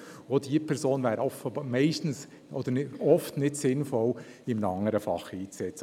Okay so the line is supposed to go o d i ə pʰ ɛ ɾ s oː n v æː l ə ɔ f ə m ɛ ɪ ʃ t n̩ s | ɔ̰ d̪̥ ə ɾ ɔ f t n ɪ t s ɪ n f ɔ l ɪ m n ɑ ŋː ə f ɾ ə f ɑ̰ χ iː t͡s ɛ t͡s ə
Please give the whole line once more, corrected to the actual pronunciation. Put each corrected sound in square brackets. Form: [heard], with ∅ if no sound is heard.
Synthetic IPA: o d i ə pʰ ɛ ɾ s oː n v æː [ɾ] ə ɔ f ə m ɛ ɪ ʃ t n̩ s | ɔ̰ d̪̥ ə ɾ ɔ f t n ɪ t s ɪ n f ɔ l ɪ m n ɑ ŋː ə [∅] ɾ ə f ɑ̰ χ iː t͡s ɛ t͡s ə